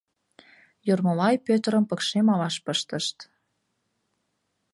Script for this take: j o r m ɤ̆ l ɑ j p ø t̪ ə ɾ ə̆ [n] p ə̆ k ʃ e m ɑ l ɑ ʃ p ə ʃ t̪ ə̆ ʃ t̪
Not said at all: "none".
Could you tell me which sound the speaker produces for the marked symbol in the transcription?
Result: m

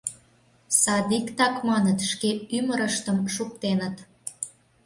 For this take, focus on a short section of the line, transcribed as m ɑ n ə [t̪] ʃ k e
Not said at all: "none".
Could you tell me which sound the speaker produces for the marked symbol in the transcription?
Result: t̪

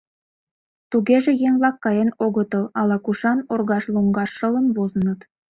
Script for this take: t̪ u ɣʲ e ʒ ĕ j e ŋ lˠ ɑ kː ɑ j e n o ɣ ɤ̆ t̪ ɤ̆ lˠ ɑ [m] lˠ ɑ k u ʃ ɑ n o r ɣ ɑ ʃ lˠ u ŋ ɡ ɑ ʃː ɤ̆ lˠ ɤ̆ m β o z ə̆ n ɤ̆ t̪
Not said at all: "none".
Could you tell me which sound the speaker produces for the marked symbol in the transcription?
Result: none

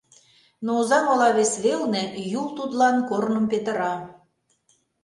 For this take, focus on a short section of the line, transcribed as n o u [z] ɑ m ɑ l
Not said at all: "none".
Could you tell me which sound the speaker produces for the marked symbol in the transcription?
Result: z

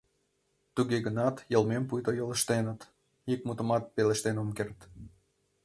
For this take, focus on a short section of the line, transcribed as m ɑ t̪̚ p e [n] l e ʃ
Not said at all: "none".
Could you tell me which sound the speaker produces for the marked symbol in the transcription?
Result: none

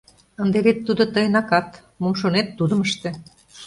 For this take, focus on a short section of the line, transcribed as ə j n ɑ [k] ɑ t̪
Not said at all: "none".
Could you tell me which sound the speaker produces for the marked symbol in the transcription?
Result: k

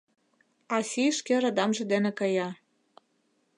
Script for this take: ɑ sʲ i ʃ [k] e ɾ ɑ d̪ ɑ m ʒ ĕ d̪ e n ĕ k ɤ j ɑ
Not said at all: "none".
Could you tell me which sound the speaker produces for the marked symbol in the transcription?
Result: k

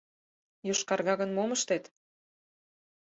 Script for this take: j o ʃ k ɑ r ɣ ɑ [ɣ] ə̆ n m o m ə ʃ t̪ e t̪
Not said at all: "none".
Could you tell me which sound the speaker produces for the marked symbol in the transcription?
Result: ɣ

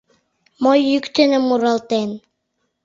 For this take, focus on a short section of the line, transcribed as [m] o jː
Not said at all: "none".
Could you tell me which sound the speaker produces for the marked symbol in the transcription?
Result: m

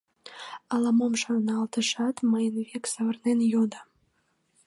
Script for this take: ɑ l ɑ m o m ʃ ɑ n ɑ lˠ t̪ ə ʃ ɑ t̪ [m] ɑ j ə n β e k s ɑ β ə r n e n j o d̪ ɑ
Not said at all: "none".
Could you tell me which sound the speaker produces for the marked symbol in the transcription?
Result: m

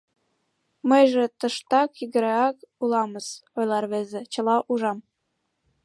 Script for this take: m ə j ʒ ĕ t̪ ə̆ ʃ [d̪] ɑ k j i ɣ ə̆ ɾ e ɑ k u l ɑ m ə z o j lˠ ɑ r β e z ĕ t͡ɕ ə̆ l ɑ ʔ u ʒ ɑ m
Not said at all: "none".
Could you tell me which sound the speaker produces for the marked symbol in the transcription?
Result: t̪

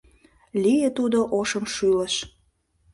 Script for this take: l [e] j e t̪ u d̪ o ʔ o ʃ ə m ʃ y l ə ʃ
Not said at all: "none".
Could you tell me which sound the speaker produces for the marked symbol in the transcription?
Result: i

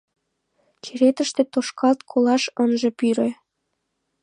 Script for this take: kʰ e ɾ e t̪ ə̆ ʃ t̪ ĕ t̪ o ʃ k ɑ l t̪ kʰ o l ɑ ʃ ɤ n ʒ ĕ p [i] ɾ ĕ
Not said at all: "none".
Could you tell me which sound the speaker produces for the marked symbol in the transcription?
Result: y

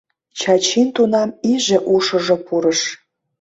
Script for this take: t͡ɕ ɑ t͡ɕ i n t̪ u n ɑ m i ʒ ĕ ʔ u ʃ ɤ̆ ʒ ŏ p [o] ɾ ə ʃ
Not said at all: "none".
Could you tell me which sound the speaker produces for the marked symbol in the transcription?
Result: u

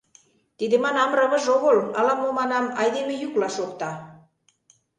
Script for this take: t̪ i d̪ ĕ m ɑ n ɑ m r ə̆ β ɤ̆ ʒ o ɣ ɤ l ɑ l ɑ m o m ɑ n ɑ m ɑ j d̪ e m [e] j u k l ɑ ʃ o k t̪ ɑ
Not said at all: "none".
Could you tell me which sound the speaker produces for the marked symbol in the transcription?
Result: e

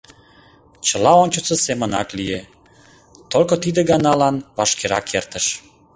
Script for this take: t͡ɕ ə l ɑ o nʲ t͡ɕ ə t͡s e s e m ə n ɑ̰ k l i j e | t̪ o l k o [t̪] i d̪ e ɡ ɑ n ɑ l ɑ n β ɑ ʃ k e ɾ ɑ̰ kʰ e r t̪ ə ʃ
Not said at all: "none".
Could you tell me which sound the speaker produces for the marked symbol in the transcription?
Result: t̪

